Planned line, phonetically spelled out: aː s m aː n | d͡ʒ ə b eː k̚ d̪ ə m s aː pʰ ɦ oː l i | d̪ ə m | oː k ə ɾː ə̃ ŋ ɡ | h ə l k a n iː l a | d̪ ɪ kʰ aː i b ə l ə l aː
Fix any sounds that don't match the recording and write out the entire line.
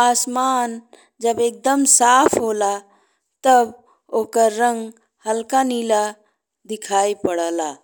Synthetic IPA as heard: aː s m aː n | d͡ʒ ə b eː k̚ d̪ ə m s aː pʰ ɦ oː l a | t̪ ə b | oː k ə ɾː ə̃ ŋ ɡ | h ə l k a n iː l a | d̪ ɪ kʰ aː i p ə ɽ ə l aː